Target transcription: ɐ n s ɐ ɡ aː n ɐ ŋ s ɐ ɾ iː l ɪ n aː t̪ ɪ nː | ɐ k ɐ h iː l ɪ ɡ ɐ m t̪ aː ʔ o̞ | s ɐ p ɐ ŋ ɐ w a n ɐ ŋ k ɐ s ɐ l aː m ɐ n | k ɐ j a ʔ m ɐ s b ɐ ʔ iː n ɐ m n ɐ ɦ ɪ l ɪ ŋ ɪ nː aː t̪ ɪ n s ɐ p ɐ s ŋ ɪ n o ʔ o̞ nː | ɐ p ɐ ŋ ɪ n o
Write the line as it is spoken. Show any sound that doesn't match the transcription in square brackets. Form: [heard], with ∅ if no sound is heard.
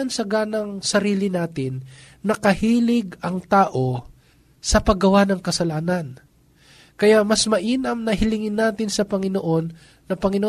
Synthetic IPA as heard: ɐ n s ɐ ɡ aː n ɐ ŋ s ɐ ɾ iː l ɪ n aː t̪ ɪ nː | ɐ k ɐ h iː l ɪ ɡ ɐ [ŋ] t̪ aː ʔ o̞ | s ɐ p ɐ [ɡ] ɐ w a n ɐ ŋ k ɐ s ɐ l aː [n] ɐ n | k ɐ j a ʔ m ɐ s [m] ɐ ʔ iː n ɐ m n ɐ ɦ ɪ l ɪ ŋ ɪ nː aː t̪ ɪ n s ɐ p ɐ [∅] ŋ ɪ n o ʔ o̞ nː | ɐ p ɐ ŋ ɪ n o